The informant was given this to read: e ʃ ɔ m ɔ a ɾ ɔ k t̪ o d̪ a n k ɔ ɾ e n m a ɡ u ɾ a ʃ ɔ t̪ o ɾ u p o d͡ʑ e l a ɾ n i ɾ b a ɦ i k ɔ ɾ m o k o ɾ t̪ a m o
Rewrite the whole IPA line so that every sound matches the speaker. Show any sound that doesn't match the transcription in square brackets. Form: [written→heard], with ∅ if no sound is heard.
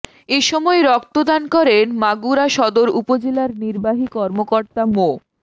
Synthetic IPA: e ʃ ɔ m ɔ [a→e] ɾ ɔ k t̪ o d̪ a n k ɔ ɾ e n m a ɡ u ɾ a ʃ ɔ [t̪→d̪] o ɾ u p o d͡ʑ e l a ɾ n i ɾ b a ɦ i k ɔ ɾ m o k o ɾ t̪ a m o